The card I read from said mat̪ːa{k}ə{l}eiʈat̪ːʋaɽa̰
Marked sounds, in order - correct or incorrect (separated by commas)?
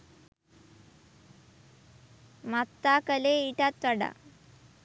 correct, correct